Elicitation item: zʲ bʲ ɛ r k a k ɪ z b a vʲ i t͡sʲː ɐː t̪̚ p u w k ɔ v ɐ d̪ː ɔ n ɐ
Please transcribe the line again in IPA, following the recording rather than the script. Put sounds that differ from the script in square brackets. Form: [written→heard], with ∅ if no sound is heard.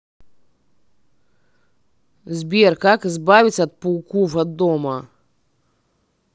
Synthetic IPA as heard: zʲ bʲ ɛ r k a k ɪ z b a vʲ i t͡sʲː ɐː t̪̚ p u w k [ɔ→u] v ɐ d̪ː ɔ [n→m] ɐ